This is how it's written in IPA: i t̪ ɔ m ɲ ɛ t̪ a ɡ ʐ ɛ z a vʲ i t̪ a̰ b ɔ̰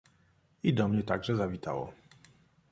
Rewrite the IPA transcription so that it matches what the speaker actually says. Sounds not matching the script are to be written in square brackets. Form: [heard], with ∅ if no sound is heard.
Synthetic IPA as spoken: i [d̪] ɔ m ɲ ɛ t̪ a ɡ ʐ ɛ z a vʲ i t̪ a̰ [w] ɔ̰